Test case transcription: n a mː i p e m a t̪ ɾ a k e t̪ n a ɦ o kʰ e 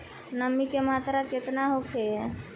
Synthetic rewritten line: n ə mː i k e m a t̪ ɾ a k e t̪ n a ɦ o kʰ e